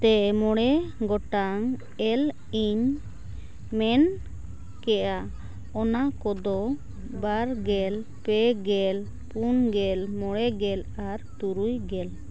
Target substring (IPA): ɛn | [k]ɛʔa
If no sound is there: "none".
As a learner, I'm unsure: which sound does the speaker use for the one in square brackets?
k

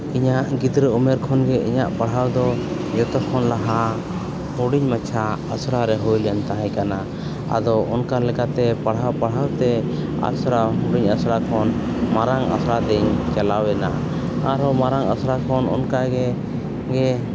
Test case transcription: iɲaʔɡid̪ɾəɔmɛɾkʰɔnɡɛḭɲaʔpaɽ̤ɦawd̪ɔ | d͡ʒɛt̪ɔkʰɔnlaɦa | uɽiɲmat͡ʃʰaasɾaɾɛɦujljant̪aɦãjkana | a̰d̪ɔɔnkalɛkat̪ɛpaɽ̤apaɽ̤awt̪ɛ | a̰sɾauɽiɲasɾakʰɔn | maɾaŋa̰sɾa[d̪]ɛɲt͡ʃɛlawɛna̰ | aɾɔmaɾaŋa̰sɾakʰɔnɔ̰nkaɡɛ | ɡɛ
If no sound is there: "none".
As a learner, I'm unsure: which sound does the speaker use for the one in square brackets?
d̪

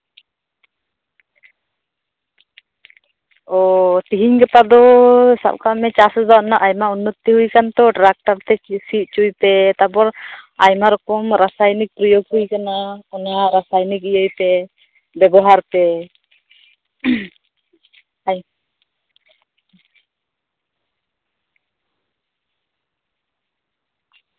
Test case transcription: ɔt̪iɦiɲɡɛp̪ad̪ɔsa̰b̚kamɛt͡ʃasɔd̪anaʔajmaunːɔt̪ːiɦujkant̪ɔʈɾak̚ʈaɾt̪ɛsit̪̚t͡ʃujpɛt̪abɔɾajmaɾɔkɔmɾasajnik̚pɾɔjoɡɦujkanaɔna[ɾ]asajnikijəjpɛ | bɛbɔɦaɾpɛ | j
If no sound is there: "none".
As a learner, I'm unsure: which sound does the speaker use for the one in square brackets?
ɾ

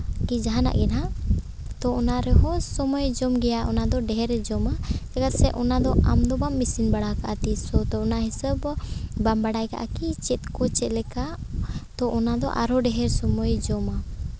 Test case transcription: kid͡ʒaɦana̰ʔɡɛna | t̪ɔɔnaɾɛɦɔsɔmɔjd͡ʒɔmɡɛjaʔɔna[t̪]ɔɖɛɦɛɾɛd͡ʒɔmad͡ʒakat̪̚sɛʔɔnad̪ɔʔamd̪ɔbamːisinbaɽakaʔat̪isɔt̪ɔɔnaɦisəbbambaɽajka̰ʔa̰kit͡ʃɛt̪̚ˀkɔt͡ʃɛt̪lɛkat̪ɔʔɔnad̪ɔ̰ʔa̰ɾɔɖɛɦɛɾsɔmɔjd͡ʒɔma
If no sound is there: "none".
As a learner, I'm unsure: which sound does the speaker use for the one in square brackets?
d̪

